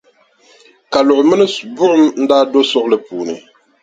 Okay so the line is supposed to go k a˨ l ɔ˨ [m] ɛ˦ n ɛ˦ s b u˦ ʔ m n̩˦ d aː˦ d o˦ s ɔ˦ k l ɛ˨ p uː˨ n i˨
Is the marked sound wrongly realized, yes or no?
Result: no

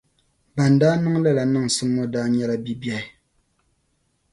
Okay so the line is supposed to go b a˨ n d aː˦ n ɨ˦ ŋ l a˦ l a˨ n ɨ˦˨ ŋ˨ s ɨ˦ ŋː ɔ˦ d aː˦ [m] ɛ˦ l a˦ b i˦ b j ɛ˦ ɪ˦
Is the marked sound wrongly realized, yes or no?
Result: yes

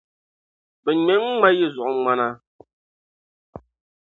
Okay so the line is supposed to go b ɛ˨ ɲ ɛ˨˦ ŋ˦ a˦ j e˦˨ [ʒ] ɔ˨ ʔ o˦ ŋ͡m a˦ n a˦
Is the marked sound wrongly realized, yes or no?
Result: yes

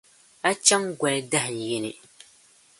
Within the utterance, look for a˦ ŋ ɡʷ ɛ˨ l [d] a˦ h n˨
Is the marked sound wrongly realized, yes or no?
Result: no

